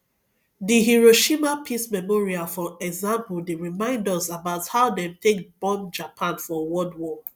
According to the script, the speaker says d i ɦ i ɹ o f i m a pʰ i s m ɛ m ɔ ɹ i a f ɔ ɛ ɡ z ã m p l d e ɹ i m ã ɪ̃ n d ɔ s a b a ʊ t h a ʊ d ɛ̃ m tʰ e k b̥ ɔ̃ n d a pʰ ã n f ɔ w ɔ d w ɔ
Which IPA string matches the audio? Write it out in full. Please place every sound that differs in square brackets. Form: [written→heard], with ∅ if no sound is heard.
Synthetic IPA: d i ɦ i ɹ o [f→ʃ] i m a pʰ i s m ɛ m ɔ ɹ i a f ɔ ɛ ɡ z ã m p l d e ɹ i m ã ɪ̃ n d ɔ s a b a ʊ t h a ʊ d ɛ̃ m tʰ e k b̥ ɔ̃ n [d→d͡ʒ] a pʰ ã n f ɔ w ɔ d w ɔ